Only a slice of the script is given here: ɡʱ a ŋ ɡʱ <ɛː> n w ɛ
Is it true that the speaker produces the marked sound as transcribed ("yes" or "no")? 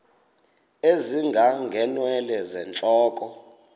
no